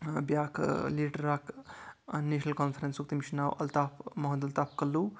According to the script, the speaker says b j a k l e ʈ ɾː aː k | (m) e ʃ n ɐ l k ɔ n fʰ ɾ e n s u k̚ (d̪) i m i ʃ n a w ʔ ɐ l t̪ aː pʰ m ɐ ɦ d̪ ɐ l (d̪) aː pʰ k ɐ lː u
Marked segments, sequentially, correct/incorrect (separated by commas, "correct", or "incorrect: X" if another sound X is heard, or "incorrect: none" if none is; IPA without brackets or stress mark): incorrect: n, incorrect: t̪, incorrect: t̪